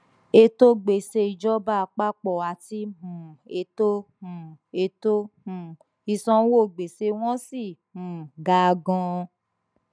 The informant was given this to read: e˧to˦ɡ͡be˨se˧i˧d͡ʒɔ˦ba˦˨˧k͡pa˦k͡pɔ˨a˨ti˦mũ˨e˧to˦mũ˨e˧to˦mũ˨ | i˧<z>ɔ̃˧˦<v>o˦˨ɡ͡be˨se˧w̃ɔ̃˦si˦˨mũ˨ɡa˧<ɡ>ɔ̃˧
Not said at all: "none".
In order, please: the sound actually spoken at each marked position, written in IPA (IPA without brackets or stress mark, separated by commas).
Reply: s, w, ɡ